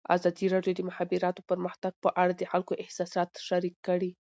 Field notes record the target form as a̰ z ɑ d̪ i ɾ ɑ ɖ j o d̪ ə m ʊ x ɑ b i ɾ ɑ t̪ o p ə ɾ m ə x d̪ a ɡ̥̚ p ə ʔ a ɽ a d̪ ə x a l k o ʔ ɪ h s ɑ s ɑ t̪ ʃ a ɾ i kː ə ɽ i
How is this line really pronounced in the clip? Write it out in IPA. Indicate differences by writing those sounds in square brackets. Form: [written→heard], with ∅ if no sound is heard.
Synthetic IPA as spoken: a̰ z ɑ d̪ i ɾ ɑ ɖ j o d̪ ə m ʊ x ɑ b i ɾ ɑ t̪ o p ə ɾ m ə x [d̪→t̪] a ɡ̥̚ p ə ʔ a ɽ a d̪ ə x a l k o ʔ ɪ h s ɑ s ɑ t̪ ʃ a ɾ i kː ə ɽ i